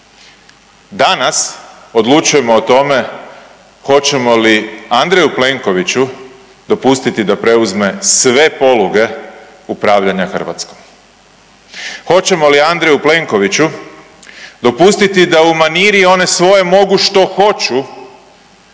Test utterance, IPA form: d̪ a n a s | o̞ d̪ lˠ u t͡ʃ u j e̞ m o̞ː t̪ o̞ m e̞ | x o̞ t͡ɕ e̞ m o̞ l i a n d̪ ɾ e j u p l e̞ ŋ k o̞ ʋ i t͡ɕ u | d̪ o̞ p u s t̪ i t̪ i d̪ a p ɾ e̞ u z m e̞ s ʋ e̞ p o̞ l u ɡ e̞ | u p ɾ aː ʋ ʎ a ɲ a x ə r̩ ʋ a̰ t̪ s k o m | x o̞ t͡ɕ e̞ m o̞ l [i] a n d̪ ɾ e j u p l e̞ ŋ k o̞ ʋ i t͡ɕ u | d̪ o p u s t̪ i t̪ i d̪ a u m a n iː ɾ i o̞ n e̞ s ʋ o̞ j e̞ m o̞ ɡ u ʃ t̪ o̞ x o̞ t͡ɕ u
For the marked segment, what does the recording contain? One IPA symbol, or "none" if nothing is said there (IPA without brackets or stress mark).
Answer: i